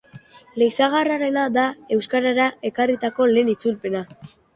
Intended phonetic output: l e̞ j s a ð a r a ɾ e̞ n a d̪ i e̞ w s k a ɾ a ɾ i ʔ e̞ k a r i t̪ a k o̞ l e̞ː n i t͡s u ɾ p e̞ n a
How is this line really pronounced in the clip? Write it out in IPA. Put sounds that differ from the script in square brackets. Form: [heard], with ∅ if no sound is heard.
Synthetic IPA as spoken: l e̞ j s a [ɣ] a r a ɾ e̞ n a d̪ [a] e̞ w s k a ɾ a ɾ [a] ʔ e̞ k a r i t̪ a k o̞ l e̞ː n i t͡s u [l] p e̞ n a